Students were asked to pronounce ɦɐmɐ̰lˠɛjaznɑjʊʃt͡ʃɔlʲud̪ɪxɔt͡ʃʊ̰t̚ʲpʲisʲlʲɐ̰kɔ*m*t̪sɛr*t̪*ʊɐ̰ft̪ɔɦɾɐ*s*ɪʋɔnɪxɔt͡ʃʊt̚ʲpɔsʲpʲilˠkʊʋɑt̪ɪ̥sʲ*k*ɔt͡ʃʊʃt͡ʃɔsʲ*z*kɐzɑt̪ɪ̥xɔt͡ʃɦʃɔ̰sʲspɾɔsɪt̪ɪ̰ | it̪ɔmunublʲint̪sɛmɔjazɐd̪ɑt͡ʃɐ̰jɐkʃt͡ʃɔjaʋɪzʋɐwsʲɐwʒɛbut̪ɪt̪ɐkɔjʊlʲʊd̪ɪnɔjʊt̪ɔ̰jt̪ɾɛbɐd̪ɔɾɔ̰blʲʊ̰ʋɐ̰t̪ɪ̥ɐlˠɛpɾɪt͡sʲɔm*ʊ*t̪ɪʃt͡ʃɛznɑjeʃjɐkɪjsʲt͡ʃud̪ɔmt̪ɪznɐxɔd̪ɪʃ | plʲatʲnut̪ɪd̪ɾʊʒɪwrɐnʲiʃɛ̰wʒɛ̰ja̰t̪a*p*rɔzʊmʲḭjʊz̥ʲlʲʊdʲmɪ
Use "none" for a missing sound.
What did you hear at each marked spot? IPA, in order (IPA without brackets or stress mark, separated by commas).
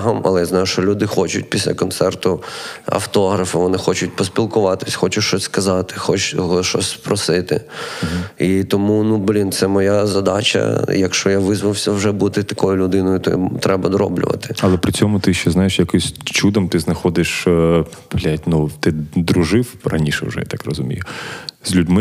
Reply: n, t̪, f, x, s, ʊ, k